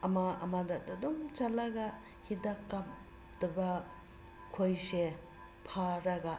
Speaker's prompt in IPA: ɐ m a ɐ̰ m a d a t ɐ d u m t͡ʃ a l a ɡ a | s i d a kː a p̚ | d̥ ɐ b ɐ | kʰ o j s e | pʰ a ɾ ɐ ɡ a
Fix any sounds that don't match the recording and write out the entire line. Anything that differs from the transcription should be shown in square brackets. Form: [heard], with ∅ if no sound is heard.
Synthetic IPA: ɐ m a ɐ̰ m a d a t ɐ d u m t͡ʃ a l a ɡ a | [h] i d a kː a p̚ | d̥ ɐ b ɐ | kʰ o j s e | pʰ a ɾ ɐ ɡ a